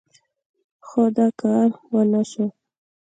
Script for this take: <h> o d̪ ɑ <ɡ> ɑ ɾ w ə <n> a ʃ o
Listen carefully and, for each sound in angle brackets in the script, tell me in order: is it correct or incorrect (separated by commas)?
incorrect, incorrect, correct